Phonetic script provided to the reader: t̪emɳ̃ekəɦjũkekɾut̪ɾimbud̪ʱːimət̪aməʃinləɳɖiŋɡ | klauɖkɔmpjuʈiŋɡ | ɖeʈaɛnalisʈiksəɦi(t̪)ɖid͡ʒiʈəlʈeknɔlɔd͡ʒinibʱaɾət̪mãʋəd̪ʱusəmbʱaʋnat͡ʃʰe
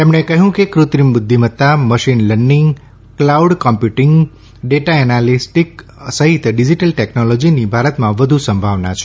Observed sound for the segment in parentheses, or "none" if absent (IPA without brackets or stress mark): t̪